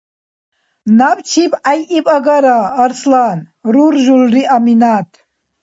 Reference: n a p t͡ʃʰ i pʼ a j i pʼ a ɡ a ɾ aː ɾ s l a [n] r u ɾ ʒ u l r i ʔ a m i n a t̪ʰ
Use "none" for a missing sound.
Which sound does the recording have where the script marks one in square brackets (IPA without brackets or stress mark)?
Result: n